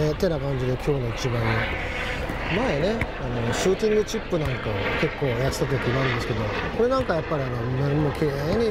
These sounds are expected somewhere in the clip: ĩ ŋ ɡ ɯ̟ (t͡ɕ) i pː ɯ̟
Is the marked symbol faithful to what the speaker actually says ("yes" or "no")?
yes